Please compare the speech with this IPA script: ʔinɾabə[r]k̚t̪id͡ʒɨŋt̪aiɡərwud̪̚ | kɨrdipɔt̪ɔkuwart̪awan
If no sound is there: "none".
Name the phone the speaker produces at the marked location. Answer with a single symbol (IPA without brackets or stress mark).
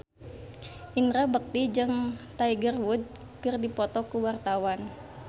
none